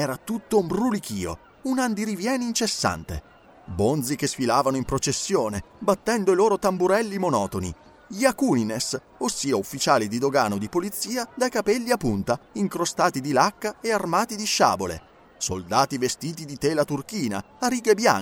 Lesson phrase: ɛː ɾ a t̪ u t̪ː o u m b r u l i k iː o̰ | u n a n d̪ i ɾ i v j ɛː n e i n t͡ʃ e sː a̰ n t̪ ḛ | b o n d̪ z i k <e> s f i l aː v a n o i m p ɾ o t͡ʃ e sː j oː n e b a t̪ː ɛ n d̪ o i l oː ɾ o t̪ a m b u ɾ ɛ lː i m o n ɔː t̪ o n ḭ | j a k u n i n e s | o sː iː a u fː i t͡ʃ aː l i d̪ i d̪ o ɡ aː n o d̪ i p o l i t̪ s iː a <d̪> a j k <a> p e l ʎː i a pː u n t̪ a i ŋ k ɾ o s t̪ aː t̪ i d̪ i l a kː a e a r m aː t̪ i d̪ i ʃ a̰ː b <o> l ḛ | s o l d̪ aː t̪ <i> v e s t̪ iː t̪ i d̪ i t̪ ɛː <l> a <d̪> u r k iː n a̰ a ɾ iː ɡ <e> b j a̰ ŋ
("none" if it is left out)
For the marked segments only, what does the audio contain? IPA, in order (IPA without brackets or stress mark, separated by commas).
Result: e, d̪, a, o, i, l, t̪, e